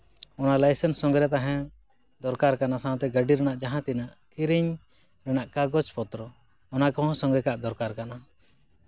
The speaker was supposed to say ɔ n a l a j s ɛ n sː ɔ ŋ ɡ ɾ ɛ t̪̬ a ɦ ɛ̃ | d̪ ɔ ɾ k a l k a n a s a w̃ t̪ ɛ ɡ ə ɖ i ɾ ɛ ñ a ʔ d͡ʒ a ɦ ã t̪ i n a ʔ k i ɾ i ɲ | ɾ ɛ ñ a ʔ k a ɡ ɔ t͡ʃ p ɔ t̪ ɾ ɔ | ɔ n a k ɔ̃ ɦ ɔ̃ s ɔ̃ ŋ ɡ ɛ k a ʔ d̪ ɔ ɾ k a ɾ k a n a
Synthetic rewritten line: ɔ n a l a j s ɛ n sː ɔ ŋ ɡ ɾ ɛ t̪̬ a ɦ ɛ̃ | d̪ ɔ ɾ k a ɾ k a n a s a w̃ t̪ ɛ ɡ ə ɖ i ɾ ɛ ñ a ʔ d͡ʒ a ɦ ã t̪ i n a ʔ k i ɾ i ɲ | ɾ ɛ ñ a ʔ k a ɡ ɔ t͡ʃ p ɔ t̪ ɾ ɔ | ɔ n a k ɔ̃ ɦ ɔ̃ s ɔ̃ ŋ ɡ ɛ k a ʔ d̪ ɔ ɾ k a ɾ k a n a